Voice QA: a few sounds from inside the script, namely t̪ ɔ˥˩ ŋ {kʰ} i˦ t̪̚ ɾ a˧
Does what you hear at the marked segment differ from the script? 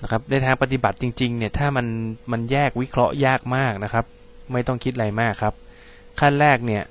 no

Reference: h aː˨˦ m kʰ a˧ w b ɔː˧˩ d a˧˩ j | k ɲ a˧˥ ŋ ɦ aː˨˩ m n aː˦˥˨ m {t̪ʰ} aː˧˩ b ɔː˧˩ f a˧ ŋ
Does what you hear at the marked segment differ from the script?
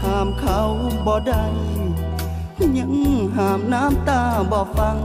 yes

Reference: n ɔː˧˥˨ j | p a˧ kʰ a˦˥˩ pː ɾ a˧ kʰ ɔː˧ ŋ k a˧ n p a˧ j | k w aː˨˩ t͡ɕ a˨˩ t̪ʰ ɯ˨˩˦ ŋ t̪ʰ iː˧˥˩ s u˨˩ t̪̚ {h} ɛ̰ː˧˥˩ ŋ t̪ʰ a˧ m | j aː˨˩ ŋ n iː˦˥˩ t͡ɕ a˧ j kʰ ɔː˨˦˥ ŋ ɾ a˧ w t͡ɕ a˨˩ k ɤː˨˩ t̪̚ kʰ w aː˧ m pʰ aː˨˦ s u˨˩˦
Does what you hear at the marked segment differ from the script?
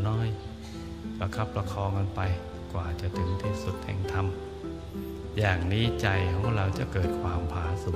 no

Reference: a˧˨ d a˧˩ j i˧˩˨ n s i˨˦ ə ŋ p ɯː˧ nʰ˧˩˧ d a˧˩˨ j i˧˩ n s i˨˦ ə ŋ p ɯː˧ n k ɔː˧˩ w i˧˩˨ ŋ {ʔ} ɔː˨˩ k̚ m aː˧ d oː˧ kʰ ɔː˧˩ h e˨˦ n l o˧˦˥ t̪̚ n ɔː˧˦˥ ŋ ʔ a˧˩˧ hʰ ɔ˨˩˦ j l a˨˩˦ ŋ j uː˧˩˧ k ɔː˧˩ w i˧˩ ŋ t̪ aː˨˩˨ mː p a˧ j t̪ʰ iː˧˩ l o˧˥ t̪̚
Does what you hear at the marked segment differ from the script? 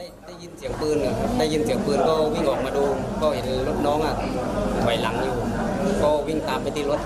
no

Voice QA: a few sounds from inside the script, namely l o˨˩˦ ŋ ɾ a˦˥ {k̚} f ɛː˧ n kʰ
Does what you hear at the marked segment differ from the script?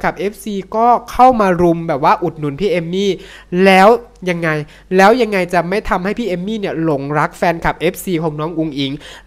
no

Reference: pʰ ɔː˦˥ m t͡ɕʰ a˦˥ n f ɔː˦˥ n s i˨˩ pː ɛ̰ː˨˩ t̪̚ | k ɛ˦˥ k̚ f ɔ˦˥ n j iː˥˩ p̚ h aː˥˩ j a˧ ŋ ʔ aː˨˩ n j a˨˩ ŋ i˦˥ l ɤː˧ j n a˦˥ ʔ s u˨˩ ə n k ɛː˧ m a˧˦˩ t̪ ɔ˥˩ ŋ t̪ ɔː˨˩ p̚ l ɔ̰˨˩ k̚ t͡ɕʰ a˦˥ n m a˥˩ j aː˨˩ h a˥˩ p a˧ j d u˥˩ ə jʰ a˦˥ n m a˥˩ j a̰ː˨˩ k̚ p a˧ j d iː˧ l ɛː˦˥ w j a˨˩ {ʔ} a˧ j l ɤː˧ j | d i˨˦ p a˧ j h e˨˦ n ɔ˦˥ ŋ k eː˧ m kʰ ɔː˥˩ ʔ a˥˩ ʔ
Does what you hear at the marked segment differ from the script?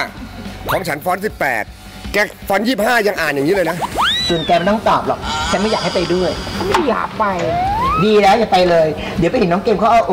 yes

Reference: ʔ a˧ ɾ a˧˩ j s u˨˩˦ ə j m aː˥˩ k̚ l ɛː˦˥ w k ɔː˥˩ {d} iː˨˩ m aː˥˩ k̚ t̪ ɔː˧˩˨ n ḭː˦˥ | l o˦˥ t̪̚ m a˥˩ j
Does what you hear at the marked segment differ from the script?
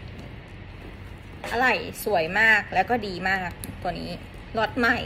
no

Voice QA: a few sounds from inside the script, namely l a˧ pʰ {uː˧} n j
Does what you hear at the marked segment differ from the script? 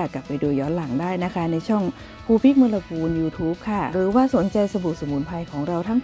no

